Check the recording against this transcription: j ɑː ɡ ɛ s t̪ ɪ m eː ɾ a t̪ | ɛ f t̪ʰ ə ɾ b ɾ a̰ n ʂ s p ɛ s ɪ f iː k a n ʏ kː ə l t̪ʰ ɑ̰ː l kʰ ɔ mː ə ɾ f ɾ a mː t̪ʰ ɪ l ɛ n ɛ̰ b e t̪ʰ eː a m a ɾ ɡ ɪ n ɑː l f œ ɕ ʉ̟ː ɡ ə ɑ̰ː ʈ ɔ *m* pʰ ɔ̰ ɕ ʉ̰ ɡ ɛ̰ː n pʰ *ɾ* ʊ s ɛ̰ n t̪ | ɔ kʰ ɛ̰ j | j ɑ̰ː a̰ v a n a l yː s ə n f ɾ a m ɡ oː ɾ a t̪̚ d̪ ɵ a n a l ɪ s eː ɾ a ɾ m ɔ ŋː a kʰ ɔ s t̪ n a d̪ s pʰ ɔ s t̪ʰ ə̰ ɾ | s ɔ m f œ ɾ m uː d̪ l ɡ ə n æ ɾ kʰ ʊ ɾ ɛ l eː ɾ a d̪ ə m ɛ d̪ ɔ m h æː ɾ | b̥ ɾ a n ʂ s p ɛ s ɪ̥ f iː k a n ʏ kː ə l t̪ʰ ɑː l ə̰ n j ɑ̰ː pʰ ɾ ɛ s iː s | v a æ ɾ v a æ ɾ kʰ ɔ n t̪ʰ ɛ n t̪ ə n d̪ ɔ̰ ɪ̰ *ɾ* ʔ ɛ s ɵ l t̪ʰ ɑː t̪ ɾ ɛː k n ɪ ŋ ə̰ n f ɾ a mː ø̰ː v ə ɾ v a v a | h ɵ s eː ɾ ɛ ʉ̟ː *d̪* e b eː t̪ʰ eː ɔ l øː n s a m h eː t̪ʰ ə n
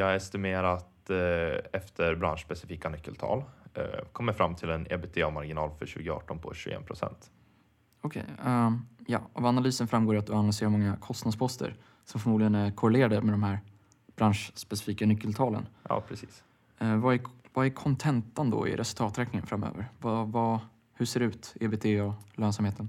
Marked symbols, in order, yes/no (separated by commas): no, yes, yes, no